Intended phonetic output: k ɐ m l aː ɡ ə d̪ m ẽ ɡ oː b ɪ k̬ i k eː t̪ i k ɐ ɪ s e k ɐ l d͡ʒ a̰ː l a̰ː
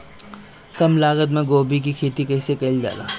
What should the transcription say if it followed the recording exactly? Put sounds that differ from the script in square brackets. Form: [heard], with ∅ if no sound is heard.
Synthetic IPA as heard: k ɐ m l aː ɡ ə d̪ m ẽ ɡ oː b [i] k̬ i [kʰ] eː t̪ i k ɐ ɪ s e k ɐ l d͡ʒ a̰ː l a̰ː